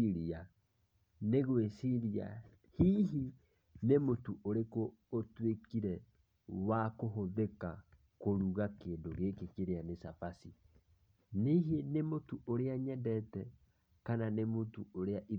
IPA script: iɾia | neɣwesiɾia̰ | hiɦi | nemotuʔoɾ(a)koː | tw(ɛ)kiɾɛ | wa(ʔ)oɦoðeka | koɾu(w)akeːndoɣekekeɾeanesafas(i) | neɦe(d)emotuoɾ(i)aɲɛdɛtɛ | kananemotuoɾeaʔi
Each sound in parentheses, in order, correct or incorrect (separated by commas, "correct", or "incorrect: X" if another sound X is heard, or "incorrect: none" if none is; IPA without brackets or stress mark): incorrect: e, incorrect: e, incorrect: k, incorrect: ɣ, correct, incorrect: n, incorrect: e